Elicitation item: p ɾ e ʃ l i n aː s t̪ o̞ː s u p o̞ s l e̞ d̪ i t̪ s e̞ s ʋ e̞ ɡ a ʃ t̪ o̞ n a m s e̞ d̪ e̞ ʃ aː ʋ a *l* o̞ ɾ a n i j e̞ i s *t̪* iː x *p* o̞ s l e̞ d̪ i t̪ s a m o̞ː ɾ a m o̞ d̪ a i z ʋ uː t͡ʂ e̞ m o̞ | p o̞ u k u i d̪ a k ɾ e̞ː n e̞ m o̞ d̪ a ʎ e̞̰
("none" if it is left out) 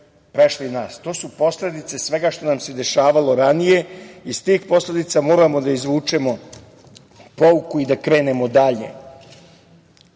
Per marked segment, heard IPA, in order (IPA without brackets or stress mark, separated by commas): l, t̪, p